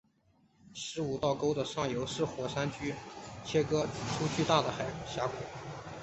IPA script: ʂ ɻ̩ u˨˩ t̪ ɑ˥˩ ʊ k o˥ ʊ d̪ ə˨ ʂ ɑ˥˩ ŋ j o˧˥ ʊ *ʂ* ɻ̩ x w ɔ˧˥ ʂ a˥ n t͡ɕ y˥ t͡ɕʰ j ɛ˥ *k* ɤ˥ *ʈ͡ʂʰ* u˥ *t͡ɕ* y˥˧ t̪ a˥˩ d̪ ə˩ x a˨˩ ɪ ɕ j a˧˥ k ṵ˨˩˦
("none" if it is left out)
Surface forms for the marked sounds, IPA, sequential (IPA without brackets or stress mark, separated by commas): ʂ, k, ʈ͡ʂʰ, t͡ɕʰ